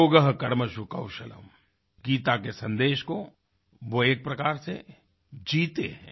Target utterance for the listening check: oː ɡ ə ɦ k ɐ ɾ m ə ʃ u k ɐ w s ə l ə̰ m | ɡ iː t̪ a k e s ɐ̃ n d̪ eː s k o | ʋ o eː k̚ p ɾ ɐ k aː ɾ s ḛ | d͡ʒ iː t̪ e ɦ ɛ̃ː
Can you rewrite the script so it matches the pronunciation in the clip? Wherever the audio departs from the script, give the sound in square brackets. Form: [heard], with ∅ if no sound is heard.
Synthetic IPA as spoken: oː ɡ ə ɦ k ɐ ɾ m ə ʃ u k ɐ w [ʃ] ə l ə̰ m | ɡ iː t̪ a k e s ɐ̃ n d̪ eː [ʃ] k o | ʋ o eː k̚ p ɾ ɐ k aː ɾ s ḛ | d͡ʒ iː t̪ e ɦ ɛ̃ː